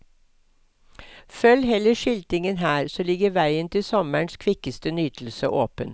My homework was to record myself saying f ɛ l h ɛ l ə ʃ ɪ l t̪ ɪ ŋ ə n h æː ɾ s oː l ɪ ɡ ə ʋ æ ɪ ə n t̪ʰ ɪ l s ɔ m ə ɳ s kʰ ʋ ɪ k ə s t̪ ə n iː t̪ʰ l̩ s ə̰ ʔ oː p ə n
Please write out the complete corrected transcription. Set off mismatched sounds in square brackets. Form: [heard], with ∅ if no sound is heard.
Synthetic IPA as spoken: f [œ] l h ɛ l ə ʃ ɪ l t̪ ɪ ŋ ə n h æː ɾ s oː l ɪ ɡ ə ʋ æ ɪ ə n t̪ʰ ɪ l s ɔ m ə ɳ s kʰ ʋ ɪ k ə s t̪ ə n [yː] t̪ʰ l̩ s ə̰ ʔ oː p ə n